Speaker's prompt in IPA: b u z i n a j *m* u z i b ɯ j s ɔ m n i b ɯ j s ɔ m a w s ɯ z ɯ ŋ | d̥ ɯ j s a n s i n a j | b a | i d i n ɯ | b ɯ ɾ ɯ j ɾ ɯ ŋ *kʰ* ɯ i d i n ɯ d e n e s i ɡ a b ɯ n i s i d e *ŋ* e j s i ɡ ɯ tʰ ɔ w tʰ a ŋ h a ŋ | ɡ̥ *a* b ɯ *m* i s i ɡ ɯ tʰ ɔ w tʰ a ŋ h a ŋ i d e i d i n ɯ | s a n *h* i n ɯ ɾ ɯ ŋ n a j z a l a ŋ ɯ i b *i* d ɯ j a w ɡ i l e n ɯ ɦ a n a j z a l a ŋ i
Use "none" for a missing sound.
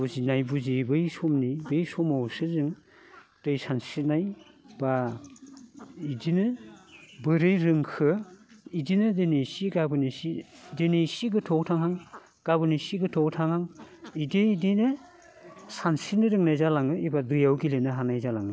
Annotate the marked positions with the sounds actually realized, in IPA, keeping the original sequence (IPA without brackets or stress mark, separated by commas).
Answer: b, kʰ, n, a, n, s, a